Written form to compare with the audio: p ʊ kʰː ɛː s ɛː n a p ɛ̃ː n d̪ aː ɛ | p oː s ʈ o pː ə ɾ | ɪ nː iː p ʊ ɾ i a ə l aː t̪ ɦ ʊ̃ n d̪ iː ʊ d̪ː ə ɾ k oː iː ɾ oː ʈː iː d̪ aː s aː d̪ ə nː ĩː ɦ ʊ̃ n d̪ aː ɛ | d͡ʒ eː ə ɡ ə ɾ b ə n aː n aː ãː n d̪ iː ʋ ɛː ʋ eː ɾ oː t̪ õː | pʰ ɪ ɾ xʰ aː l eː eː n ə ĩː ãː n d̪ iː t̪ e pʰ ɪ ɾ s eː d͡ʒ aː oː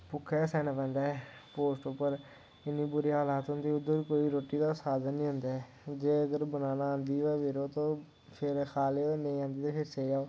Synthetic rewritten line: p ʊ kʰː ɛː s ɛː n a p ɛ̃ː n d̪ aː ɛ | p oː s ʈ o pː ə ɾ | ɪ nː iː b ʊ ɾ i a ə l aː t̪ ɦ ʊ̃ n d̪ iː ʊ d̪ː ə ɾ k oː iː ɾ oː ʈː iː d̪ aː s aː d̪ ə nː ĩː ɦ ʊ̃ n d̪ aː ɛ | d͡ʒ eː ə ɡ ə ɾ b ə n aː n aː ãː n d̪ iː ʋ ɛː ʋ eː ɾ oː t̪ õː | pʰ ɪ ɾ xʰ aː l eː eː n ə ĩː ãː n d̪ iː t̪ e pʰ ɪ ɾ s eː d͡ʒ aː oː